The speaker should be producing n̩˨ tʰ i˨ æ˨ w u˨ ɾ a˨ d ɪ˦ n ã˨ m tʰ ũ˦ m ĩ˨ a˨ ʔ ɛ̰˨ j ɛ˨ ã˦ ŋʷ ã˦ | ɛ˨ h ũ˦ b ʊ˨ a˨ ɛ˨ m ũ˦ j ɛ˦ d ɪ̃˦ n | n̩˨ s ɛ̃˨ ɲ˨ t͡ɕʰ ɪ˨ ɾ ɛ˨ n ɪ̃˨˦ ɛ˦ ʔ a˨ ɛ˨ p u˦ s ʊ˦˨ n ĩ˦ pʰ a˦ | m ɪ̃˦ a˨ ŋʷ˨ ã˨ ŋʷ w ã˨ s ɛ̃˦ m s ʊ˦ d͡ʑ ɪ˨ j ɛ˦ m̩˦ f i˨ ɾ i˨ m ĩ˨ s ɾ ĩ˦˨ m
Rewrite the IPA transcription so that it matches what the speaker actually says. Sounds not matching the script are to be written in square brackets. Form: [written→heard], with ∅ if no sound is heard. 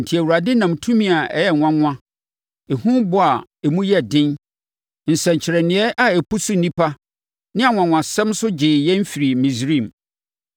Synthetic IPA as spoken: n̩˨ tʰ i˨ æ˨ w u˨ ɾ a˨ d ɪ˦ n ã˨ m tʰ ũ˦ m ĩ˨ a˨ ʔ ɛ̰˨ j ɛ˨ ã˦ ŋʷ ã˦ | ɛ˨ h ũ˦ b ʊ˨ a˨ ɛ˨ m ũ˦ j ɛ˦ d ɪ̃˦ n | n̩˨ s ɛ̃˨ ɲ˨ t͡ɕʰ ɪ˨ ɾ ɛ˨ n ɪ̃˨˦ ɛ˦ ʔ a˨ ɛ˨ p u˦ s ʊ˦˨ n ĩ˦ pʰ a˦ | [m→n] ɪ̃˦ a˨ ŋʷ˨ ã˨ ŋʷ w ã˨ s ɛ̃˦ m s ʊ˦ d͡ʑ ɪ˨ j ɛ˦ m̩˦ f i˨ ɾ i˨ m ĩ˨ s ɾ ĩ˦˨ m